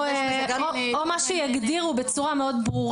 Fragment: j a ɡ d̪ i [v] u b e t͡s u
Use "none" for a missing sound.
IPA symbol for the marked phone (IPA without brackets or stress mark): ʁ